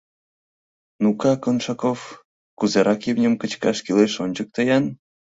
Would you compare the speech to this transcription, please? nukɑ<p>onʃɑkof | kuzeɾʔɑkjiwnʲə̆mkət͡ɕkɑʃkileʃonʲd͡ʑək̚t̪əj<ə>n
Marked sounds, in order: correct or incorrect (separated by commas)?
incorrect, incorrect